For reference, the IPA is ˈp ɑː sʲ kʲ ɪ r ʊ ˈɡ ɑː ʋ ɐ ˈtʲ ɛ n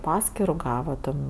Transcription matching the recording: ˈp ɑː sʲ kʲ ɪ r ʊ ˈɡ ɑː ʋ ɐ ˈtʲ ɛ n